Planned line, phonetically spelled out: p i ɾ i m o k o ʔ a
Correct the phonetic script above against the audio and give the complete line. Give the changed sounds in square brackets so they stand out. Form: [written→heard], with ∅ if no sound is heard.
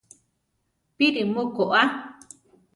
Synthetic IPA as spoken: p i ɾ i m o k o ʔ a